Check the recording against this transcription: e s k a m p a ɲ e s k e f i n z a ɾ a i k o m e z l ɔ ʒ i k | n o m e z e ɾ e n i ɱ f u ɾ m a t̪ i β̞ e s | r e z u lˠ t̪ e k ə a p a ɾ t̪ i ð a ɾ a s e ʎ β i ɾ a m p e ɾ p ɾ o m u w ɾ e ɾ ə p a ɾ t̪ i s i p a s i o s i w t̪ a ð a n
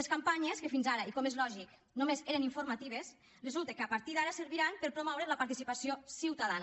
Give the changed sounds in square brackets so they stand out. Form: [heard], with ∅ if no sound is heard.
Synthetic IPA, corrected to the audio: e s k a m p a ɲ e s k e f i n z a ɾ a i k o m e z l ɔ ʒ i k | n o m e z e ɾ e n i ɱ f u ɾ m a t̪ i β̞ e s | r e z u lˠ t̪ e k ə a p a ɾ t̪ i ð a ɾ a s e [ɾ] β i ɾ a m p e ɾ p ɾ o m [ɔ] w ɾ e [l] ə p a ɾ t̪ i s i p a s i o s i w t̪ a ð a n